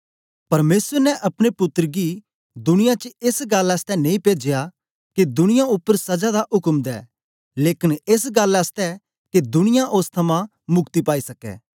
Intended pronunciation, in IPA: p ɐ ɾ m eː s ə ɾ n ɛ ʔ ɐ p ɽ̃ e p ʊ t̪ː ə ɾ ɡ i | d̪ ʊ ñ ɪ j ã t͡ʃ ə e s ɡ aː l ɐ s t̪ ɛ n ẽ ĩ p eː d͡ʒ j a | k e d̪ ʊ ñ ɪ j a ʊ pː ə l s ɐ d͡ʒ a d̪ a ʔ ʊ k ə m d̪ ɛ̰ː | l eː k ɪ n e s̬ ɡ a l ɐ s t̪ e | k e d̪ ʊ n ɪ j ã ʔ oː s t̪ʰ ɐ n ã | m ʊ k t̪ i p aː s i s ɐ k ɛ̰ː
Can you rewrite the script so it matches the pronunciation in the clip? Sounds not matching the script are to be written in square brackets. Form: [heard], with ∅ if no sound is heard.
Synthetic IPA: p ɐ ɾ m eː s ə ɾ n ɛ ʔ ɐ p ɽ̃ e p ʊ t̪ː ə ɾ ɡ i | d̪ ʊ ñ ɪ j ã t͡ʃ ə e s ɡ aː l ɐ s t̪ ɛ n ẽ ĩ p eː d͡ʒ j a | k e d̪ ʊ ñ ɪ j a ʊ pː ə [ɾ] s ɐ d͡ʒ a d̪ a ʔ ʊ k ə m d̪ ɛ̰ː | l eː k ɪ n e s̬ ɡ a l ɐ s t̪ [ɛ] | k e d̪ ʊ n ɪ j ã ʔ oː s t̪ʰ ɐ [m] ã | m ʊ k t̪ i p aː [∅] i s ɐ k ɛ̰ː